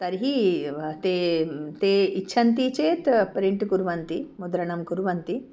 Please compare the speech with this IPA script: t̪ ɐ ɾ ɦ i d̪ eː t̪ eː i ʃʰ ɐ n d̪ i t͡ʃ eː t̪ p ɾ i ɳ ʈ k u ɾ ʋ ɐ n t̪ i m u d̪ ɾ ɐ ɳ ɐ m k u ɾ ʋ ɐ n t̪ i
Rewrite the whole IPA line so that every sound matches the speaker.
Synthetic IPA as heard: t̪ ɐ ɾ ɦ i t̪ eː t̪ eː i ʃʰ ɐ n t̪ i t͡ʃ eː t̪ p ɾ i ɳ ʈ k u ɾ ʋ ɐ n t̪ i m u d̪ ɾ ɐ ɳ ɐ m k u ɾ ʋ ɐ n t̪ i